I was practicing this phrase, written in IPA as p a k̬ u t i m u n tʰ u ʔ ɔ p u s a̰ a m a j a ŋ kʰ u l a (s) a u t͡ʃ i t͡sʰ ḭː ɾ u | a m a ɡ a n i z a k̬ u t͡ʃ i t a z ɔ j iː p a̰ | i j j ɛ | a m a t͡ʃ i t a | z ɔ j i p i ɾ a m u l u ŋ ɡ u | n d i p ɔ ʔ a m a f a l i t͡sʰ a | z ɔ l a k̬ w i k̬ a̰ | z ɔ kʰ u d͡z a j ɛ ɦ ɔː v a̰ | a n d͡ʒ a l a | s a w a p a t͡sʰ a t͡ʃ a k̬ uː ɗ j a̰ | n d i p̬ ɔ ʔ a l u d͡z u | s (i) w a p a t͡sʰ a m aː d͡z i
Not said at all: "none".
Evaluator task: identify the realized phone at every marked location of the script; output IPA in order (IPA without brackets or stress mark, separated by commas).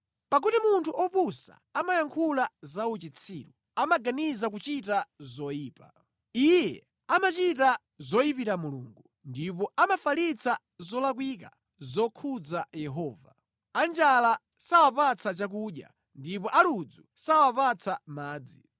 z, a